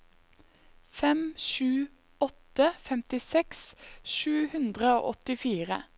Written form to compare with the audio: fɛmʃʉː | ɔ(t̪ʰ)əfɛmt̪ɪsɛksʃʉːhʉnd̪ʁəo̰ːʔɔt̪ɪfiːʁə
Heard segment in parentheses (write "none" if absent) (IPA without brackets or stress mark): t̪